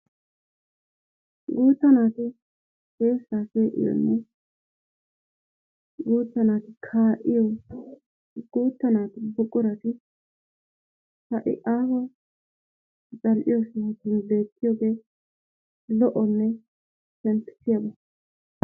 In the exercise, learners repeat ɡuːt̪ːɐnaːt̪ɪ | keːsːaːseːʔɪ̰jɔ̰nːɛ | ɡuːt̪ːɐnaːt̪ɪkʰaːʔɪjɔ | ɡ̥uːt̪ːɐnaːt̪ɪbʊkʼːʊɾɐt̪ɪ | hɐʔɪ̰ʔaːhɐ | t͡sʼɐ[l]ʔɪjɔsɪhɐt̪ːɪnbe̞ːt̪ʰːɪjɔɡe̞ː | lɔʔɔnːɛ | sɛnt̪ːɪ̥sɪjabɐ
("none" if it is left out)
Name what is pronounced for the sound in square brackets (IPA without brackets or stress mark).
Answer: l